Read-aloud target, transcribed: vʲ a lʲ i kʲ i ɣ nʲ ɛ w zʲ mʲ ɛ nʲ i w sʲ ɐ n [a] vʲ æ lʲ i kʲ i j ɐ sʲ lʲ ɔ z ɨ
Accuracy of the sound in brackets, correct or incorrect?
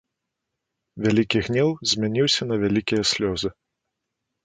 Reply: incorrect: ɐ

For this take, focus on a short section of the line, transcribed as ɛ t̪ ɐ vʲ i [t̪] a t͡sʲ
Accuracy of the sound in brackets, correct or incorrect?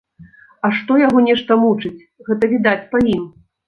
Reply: incorrect: d̪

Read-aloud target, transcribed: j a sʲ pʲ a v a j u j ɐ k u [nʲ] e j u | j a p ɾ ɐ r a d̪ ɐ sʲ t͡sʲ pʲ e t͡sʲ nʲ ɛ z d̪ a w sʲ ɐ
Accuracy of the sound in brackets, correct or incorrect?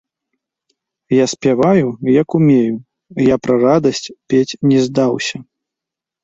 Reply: incorrect: mʲ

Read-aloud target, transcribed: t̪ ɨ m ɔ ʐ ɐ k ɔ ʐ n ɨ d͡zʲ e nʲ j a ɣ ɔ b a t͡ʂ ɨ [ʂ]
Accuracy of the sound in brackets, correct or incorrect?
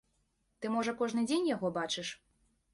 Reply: correct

